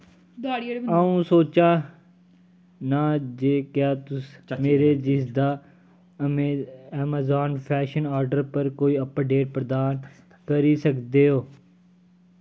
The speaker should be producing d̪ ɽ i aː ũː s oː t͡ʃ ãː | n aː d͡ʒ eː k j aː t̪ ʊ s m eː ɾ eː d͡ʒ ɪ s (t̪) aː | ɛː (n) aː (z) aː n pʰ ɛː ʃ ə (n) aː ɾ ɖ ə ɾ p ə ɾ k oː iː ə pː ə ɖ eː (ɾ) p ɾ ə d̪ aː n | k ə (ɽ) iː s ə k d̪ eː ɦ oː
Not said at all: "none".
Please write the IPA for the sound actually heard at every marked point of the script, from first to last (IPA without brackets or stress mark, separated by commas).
d̪, m, z, n, ɾ, ɾ